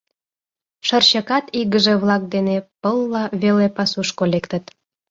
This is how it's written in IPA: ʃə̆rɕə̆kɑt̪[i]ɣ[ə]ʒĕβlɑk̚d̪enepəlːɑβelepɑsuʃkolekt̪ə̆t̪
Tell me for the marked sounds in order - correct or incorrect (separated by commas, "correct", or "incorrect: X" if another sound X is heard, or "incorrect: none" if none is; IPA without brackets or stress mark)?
correct, correct